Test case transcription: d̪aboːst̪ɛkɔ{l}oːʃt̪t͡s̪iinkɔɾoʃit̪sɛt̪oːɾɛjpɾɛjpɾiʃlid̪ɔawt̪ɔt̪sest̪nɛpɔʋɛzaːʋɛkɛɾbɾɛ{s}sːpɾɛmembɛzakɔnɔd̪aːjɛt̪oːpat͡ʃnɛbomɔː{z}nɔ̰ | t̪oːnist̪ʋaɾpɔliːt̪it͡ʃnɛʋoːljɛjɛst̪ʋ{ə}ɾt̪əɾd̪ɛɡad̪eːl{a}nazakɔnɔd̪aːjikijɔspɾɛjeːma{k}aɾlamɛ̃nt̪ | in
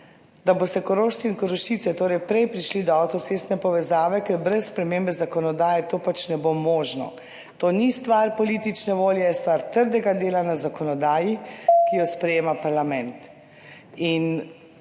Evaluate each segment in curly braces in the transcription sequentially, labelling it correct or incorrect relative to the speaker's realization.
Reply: incorrect: ɾ, correct, incorrect: ʒ, incorrect: a, correct, incorrect: p

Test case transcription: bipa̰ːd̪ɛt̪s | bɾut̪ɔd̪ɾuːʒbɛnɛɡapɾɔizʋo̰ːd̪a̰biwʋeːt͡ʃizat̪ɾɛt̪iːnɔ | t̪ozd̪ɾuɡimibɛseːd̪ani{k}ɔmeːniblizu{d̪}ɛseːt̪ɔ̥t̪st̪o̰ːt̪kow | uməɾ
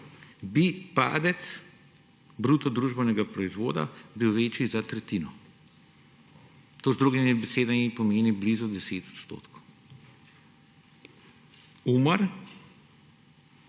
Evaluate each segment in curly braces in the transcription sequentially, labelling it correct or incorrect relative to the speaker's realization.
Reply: incorrect: p, correct

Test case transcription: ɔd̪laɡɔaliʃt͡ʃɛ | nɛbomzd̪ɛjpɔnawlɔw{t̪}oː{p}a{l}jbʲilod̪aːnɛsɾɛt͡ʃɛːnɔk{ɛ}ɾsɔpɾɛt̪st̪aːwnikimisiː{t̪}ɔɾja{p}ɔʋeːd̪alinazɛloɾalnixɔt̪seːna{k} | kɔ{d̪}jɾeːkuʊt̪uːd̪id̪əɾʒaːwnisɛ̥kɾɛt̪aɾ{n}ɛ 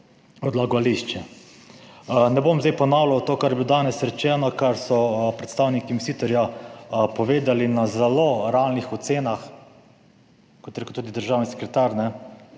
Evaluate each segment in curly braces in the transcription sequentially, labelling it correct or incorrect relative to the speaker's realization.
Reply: correct, incorrect: k, incorrect: ɾ, incorrect: a, correct, correct, incorrect: x, incorrect: t̪, correct

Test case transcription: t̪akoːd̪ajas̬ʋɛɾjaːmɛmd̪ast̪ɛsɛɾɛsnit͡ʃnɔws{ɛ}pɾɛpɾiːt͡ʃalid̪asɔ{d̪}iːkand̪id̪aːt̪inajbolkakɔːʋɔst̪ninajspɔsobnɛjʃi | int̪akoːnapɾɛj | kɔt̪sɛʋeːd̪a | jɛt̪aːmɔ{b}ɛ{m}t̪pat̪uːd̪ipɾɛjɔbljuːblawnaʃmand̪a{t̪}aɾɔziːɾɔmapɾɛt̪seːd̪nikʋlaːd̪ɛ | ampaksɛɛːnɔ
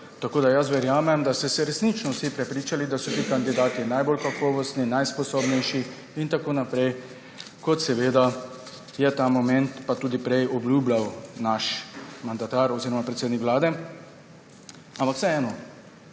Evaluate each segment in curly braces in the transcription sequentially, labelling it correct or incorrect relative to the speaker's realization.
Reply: incorrect: i, incorrect: t̪, incorrect: m, incorrect: n, correct

